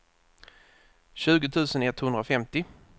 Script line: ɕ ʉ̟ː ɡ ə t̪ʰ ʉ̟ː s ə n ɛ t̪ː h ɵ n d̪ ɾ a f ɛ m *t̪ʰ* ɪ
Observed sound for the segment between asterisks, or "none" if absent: t̪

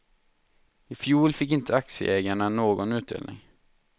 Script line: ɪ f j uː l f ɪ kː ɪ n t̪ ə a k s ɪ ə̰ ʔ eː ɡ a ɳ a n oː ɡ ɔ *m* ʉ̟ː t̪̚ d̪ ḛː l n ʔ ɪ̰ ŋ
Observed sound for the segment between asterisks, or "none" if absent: n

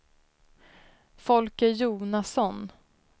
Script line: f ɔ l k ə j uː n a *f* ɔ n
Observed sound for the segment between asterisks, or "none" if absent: s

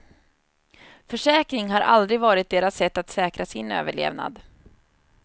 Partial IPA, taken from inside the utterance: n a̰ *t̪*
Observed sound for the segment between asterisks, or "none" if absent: d̪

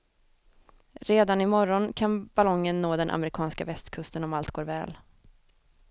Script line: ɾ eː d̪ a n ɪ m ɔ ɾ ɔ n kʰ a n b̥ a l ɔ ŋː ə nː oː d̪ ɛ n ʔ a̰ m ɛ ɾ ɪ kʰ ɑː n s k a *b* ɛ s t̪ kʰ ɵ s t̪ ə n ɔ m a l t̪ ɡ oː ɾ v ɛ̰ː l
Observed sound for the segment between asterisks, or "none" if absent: v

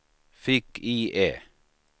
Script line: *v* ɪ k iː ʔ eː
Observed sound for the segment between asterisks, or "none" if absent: f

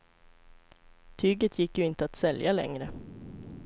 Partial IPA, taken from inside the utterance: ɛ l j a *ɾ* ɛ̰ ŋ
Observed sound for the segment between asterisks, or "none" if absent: l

